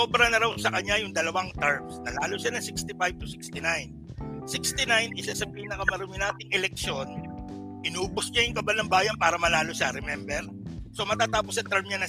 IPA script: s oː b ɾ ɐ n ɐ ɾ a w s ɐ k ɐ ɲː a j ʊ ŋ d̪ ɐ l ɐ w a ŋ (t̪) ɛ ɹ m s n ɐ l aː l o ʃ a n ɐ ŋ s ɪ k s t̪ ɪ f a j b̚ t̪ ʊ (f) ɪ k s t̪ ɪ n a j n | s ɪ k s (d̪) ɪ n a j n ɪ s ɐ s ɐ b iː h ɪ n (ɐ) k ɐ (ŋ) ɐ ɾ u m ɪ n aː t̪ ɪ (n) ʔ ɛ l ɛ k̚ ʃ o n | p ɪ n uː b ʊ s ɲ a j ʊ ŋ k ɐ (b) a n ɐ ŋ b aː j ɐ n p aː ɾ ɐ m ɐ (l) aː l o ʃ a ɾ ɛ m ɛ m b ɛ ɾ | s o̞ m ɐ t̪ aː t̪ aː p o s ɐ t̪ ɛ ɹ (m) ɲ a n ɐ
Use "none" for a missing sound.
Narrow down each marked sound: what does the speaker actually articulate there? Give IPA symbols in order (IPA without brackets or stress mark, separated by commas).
t̪, s, t̪, ɐ, m, ŋ, b, l, m